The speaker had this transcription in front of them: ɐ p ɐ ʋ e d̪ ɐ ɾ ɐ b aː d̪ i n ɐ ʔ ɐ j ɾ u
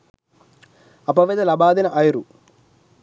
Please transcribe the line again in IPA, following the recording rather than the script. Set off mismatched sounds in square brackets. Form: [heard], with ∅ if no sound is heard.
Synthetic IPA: ɐ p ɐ ʋ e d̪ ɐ [l] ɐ b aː d̪ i n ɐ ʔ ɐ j ɾ u